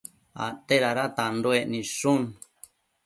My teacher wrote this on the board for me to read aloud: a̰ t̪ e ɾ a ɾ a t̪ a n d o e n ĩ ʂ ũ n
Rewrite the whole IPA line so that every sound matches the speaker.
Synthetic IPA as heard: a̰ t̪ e ɾ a ɾ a t̪ a n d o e n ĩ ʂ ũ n

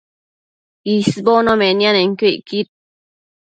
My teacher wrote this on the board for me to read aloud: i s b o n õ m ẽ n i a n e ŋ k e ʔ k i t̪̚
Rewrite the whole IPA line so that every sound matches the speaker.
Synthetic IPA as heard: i s b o n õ m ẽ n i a n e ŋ k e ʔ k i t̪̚

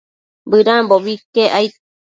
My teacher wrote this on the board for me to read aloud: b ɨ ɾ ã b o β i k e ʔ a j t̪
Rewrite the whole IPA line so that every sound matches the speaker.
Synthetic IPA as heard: b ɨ ɾ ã b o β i k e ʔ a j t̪

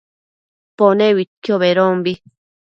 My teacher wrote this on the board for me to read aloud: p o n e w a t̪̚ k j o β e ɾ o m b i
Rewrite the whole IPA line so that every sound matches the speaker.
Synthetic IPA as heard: p o n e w i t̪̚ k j o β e ɾ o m b i

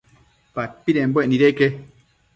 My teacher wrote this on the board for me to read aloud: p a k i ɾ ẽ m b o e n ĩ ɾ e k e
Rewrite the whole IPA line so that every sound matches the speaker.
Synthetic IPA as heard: p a p i ɾ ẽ m b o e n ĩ ɾ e k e

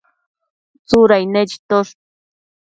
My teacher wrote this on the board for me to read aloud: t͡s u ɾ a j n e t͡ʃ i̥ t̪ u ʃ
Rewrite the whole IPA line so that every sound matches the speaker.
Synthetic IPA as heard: t͡s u ɾ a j n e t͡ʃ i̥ t̪ o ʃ

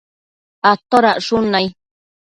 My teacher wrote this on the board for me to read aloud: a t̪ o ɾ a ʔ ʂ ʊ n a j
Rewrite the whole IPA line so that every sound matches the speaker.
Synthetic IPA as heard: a t̪ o ɾ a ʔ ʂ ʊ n a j

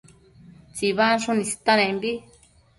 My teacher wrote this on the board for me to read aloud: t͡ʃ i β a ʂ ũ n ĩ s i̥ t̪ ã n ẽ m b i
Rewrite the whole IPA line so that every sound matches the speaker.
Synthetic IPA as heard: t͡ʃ i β a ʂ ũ n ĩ s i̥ t̪ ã n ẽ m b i

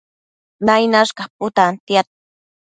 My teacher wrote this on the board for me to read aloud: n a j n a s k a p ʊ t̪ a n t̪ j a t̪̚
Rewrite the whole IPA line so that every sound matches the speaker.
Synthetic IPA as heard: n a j n a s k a p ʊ t̪ a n t̪ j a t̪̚

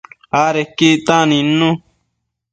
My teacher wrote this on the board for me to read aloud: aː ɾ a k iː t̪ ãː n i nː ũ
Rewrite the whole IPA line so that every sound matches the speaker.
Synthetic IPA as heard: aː ɾ e k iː t̪ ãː n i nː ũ

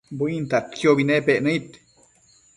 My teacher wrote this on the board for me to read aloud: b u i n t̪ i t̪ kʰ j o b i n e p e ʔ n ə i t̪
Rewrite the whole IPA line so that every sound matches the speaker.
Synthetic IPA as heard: b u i n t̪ a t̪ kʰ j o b i n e p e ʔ n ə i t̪

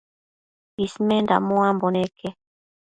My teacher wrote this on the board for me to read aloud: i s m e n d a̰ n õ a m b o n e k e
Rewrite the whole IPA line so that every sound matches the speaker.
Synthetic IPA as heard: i s m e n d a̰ m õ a m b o n e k e

